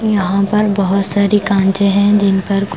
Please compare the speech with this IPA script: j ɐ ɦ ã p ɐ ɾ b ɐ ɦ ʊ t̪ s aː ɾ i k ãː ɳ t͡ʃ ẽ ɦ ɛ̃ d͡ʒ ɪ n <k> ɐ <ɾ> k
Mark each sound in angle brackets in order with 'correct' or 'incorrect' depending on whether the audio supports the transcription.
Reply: incorrect: p, correct

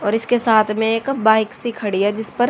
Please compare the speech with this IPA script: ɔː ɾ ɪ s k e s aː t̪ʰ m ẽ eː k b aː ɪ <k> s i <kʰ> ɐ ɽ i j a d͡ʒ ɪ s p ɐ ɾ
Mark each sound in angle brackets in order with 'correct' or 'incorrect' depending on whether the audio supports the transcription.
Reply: correct, correct

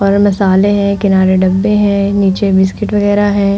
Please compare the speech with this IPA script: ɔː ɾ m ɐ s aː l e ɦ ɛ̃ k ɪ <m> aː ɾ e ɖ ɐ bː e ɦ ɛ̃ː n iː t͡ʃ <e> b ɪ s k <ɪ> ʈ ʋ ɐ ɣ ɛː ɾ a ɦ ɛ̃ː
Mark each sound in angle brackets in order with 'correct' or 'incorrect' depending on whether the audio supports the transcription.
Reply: incorrect: n, correct, correct

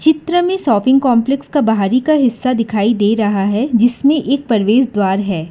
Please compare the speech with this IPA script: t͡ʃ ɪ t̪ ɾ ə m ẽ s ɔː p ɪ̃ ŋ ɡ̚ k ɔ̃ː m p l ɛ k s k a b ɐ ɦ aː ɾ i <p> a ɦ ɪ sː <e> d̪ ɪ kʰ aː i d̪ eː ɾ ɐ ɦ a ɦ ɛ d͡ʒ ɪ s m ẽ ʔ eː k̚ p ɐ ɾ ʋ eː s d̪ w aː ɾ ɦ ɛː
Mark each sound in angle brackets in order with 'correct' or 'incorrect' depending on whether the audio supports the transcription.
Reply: incorrect: k, incorrect: a

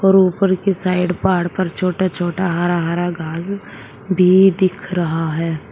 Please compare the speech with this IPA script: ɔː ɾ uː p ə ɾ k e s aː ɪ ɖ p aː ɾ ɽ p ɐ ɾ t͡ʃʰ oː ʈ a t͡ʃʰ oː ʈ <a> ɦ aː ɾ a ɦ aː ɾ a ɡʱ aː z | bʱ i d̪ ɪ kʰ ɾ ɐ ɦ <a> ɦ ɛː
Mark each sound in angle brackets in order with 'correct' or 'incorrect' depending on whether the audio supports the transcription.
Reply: correct, correct

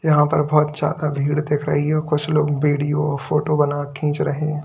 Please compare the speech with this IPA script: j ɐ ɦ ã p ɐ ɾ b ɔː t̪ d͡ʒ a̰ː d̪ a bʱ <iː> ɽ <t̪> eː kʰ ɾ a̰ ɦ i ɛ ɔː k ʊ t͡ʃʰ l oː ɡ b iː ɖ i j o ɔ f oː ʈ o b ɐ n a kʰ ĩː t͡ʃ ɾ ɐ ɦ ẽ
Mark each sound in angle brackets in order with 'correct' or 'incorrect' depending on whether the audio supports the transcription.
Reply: correct, incorrect: d̪

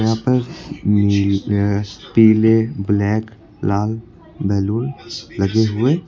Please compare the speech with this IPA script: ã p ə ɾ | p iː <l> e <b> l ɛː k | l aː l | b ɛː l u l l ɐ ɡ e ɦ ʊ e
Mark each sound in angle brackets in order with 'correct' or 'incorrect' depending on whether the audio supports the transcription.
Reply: correct, correct

